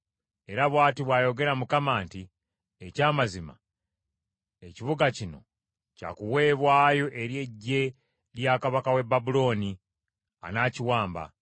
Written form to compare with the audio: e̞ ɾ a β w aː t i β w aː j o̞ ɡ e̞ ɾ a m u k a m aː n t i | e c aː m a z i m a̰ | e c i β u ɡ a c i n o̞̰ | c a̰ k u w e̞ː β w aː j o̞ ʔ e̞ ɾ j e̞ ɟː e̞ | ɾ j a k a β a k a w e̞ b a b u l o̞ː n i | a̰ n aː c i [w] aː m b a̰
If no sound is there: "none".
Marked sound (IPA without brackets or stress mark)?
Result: w